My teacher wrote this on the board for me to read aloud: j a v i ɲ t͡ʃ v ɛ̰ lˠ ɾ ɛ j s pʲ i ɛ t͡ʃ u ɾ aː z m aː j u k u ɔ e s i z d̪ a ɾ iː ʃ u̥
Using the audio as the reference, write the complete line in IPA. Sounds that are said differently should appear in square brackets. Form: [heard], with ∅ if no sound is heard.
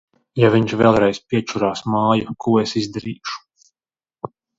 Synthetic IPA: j a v i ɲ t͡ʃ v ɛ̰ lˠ ɾ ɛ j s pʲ i ɛ t͡ʃ u ɾ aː [s] m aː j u k u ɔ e s i z d̪ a ɾ iː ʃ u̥